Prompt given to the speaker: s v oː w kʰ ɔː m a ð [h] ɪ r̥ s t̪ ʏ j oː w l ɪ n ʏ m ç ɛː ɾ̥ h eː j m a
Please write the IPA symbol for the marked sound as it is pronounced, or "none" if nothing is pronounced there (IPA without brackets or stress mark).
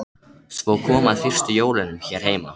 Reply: f